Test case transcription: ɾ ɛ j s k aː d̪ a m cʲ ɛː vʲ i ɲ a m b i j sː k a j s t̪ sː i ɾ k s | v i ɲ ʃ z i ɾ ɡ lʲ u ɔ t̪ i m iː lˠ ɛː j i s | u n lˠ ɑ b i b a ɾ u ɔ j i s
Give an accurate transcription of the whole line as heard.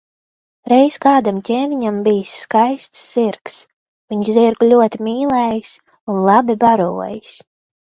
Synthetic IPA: ɾ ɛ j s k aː d̪ a m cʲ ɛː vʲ i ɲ a m b i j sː k a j s t̪ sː i ɾ k s | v i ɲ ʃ z i ɾ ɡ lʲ u ɔ t̪ i m iː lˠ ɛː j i s | u n lˠ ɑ b i b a ɾ u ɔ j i s